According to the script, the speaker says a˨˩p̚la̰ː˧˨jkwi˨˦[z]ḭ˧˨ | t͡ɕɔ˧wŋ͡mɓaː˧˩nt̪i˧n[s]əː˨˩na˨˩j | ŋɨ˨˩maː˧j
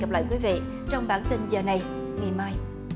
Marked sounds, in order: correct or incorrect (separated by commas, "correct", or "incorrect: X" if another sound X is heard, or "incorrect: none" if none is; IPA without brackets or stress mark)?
incorrect: v, incorrect: z